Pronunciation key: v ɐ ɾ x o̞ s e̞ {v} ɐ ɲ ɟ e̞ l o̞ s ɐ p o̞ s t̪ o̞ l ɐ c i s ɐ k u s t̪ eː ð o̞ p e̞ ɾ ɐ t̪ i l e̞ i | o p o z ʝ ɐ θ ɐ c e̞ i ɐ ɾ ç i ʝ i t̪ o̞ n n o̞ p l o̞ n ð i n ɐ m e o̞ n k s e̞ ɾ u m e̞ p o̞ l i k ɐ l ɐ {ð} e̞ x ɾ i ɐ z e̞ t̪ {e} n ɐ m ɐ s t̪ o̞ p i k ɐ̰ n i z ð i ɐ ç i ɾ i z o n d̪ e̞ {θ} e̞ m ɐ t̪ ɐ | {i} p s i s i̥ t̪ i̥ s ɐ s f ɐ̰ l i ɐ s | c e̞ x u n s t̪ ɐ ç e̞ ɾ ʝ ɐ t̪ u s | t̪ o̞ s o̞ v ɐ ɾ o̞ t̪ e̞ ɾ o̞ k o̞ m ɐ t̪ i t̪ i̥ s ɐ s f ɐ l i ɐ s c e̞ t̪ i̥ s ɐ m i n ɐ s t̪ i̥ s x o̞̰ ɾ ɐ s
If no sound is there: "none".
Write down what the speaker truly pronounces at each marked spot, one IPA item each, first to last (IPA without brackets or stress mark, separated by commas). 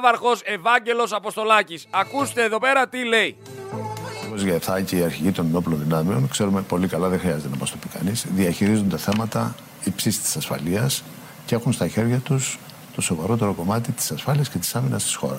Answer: v, ð, e, θ, i